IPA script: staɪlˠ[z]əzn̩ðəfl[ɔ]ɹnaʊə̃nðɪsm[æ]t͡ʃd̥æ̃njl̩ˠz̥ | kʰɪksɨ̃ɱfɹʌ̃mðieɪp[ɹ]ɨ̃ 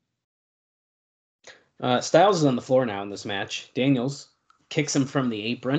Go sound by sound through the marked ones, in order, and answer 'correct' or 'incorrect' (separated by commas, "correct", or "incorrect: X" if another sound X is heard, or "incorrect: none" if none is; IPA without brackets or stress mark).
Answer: correct, correct, correct, correct